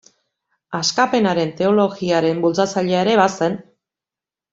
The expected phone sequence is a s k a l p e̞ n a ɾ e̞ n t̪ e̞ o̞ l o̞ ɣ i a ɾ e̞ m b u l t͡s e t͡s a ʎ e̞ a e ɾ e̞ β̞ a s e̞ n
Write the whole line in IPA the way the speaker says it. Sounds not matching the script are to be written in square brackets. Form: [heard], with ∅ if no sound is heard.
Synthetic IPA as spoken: a s k a [∅] p e̞ n a ɾ e̞ n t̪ e̞ o̞ l o̞ ɣ i a ɾ e̞ m b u l t͡s [a] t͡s a ʎ e̞ a e ɾ e̞ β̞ a s e̞ n